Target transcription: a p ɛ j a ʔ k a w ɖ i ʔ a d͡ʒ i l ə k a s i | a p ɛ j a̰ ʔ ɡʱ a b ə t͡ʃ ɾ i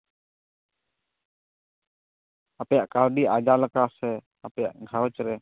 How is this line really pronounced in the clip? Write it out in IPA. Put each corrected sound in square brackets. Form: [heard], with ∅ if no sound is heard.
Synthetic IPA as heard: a p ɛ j a ʔ k a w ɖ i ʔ a d͡ʒ [a] l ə k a s [ɛ] | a p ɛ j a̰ ʔ ɡʱ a [w] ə t͡ʃ ɾ [ɛ]